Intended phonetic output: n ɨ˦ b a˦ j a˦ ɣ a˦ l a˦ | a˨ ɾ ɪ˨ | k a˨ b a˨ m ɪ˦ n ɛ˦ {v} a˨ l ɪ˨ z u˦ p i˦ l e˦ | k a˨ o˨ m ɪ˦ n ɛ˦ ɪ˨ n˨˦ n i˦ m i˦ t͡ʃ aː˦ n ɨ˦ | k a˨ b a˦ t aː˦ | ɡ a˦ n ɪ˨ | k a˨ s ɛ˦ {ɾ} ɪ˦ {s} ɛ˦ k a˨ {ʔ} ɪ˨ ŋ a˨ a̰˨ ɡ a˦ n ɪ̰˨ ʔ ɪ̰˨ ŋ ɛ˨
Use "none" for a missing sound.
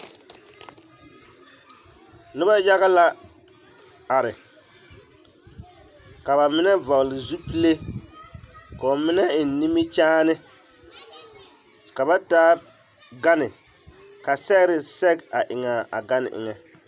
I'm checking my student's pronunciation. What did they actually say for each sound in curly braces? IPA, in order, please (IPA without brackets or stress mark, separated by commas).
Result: v, ɾ, s, ʔ